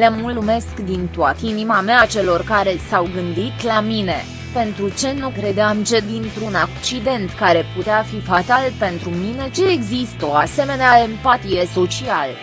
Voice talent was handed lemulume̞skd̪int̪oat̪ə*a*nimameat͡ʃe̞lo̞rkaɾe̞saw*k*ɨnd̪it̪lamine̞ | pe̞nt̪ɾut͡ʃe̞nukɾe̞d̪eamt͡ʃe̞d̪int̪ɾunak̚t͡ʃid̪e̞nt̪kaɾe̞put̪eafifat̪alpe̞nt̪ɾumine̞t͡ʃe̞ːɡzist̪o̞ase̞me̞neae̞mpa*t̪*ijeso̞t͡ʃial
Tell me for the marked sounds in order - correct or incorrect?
incorrect: i, incorrect: ɡ, correct

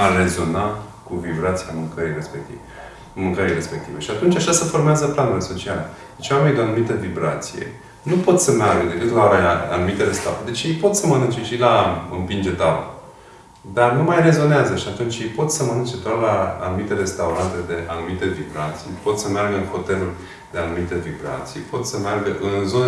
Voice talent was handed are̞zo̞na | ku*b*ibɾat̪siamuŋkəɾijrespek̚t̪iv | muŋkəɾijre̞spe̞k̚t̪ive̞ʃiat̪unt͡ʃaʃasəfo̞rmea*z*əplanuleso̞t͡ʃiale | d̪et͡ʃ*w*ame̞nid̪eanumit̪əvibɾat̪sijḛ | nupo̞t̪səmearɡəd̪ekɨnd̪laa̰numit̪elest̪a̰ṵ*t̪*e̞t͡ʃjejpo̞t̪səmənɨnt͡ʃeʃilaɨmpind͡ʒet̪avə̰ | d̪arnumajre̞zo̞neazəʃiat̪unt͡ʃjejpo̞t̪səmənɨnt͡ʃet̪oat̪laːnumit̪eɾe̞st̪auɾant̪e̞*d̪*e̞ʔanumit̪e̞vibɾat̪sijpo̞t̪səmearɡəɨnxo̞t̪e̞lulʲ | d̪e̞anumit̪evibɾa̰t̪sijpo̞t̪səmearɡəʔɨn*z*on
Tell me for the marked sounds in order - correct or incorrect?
incorrect: v, correct, correct, incorrect: d̪, correct, correct

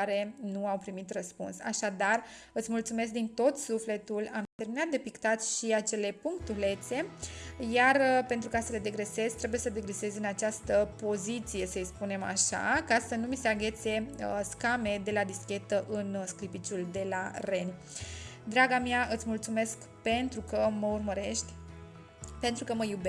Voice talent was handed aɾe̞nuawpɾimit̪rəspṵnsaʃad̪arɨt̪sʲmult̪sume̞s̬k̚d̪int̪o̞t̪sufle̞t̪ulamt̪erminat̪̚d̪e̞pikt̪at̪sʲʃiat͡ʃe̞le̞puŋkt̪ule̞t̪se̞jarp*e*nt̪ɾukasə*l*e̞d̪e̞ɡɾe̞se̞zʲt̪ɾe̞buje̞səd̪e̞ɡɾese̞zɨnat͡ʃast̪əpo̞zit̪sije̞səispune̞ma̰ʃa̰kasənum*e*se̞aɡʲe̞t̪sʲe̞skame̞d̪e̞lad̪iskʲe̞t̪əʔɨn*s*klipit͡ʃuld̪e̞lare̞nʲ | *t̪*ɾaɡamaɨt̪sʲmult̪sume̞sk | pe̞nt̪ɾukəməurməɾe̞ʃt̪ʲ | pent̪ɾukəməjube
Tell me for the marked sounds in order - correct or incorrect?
correct, correct, incorrect: i, correct, incorrect: d̪

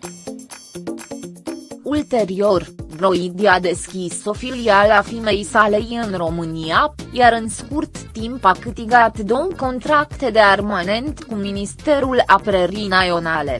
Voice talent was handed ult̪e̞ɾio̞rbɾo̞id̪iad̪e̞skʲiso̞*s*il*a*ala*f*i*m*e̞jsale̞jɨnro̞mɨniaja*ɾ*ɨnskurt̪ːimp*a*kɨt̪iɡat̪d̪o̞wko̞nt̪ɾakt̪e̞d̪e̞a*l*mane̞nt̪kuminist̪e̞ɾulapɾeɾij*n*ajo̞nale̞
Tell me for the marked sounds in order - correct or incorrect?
incorrect: f, incorrect: i, correct, correct, correct, correct, incorrect: r, correct

